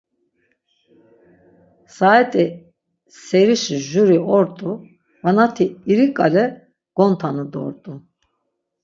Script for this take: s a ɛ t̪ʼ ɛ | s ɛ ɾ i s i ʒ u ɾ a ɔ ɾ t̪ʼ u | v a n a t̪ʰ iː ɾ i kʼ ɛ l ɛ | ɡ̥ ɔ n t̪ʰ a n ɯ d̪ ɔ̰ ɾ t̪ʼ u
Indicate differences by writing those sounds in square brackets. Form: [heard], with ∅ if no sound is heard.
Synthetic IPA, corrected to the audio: s a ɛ t̪ʼ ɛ | s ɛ ɾ i [ʃ] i ʒ u ɾ [i] ɔ ɾ t̪ʼ u | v a n a t̪ʰ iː ɾ i kʼ [a] l ɛ | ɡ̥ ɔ n t̪ʰ a n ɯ d̪ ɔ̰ ɾ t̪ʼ u

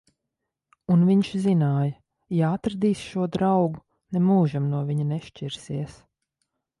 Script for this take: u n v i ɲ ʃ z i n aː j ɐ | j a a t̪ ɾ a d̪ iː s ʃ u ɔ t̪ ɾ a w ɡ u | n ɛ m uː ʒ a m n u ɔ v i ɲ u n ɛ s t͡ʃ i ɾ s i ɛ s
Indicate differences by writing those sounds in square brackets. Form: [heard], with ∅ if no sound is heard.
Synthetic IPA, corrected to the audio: u n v i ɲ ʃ z i n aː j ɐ | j a a t̪ ɾ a d̪ iː s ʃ u ɔ [d̪] ɾ a w ɡ u | n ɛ m uː ʒ a m n u ɔ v i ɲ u n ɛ [ʃ] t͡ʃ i ɾ s i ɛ s

